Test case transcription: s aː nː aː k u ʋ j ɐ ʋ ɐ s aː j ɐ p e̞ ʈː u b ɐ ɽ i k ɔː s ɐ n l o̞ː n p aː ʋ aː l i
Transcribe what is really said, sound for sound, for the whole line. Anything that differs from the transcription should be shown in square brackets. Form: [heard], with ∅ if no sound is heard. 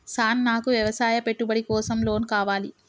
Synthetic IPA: s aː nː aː k u ʋ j ɐ ʋ ɐ s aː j ɐ p e̞ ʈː u b ɐ ɽ i k ɔː s ɐ [m] l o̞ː n [k] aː ʋ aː l i

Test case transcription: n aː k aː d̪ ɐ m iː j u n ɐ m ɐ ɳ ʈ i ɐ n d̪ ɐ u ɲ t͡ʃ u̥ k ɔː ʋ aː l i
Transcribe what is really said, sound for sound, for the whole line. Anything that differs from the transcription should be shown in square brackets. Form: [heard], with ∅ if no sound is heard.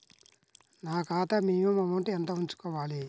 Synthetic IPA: n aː k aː [t̪] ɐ m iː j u [m] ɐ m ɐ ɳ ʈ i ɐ n [t̪] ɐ u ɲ t͡ʃ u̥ k ɔː ʋ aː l i

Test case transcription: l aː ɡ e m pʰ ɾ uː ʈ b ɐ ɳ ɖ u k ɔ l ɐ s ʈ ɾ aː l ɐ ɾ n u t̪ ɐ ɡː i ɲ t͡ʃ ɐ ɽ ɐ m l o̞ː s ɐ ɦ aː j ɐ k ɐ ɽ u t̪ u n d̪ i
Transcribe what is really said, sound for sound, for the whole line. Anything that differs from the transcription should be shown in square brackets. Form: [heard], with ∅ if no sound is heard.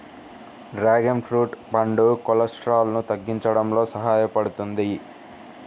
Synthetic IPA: [ɾ] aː ɡ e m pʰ ɾ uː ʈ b ɐ ɳ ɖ u k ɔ l ɐ s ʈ ɾ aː l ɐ [∅] n u t̪ ɐ ɡː i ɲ t͡ʃ ɐ ɽ ɐ m l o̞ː s ɐ ɦ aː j ɐ [p] ɐ ɽ u t̪ u n d̪ i

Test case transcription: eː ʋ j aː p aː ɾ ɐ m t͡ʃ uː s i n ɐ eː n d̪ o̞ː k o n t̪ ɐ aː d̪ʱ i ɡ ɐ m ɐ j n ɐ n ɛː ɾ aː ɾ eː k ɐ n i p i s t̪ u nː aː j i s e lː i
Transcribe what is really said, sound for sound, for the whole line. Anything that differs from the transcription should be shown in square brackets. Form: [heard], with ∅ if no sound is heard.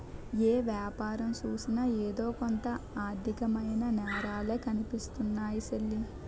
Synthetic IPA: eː ʋ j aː p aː ɾ ɐ m t͡ʃ uː s i n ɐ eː [∅] d̪ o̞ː k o n t̪ ɐ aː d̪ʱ i [k] ɐ m ɐ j n ɐ n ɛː ɾ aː [l] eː k ɐ n i p i s t̪ u nː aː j i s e lː i

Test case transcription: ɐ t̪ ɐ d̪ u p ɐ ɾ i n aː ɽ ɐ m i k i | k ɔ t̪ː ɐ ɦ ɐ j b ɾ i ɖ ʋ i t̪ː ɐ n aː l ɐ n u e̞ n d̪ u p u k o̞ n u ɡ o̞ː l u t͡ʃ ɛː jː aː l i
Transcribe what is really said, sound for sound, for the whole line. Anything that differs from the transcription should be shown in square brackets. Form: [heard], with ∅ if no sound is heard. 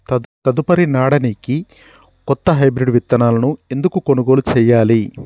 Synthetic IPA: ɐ t̪ ɐ d̪ u p ɐ ɾ i n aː ɽ ɐ [n] i k i | k ɔ t̪ː ɐ ɦ ɐ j b ɾ i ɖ ʋ i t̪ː ɐ n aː l ɐ n u e̞ n d̪ u [k] u k o̞ n u ɡ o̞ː l u t͡ʃ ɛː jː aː l i

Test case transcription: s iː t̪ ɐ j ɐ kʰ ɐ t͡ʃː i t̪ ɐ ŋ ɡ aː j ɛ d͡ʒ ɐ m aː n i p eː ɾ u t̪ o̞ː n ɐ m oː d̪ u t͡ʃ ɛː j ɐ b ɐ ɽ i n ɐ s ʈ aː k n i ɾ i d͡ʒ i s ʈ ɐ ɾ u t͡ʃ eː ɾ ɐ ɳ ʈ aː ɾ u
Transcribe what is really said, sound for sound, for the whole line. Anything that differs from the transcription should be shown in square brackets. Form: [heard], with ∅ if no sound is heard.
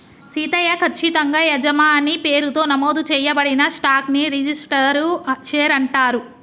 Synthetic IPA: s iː t̪ ɐ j ɐ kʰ ɐ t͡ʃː i t̪ ɐ ŋ ɡ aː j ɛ d͡ʒ ɐ m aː n i p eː ɾ u t̪ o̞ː n ɐ m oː d̪ u t͡ʃ ɛː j ɐ b ɐ ɽ i n ɐ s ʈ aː k n i ɾ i d͡ʒ i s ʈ ɐ ɾ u t͡ʃ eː ɾ ɐ ɳ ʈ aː ɾ u

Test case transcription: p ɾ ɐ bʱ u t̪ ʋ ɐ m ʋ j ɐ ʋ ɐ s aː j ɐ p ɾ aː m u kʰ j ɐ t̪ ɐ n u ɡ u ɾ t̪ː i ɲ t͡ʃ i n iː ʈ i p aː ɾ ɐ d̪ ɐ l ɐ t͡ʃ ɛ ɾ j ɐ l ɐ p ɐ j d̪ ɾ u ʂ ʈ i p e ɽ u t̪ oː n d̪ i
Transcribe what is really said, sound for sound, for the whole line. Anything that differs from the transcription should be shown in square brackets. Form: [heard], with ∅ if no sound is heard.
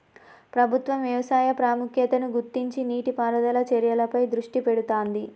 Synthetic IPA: p ɾ ɐ bʱ u t̪ ʋ ɐ m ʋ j ɐ ʋ ɐ s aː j ɐ p ɾ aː m u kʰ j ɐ t̪ ɐ n u ɡ u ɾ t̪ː i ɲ t͡ʃ i n iː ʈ i p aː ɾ ɐ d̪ ɐ l ɐ t͡ʃ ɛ ɾ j ɐ l ɐ p ɐ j d̪ ɾ u ʂ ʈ i p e ɽ u t̪ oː n d̪ i

